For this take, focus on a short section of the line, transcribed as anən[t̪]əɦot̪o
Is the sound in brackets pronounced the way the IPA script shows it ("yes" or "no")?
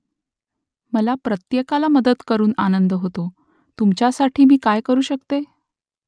no